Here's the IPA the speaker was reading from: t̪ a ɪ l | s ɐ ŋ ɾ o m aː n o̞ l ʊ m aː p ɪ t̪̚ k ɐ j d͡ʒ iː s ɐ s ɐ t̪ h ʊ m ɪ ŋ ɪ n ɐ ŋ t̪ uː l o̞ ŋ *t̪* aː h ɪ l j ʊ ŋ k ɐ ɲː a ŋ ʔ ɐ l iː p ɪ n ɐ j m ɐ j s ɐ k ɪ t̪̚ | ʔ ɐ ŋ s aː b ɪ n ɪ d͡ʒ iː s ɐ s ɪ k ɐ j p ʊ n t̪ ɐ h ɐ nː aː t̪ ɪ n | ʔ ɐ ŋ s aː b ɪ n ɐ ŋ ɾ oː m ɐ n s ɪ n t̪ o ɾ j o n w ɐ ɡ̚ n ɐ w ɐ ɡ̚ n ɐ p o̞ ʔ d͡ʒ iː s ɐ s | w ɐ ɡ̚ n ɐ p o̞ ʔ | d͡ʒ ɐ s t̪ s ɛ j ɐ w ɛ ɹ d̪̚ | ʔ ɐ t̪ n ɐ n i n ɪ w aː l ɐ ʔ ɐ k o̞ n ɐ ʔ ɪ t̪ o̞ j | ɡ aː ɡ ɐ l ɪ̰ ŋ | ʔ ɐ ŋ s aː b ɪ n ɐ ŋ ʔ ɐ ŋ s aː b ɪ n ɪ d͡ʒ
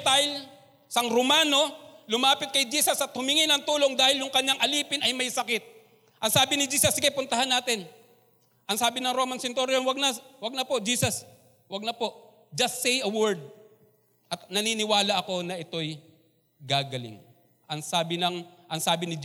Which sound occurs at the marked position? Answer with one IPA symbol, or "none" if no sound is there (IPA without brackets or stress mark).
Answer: d̪